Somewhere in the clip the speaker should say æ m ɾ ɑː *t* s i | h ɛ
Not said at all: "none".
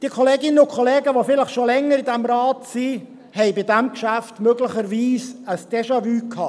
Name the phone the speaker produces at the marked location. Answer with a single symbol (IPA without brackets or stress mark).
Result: t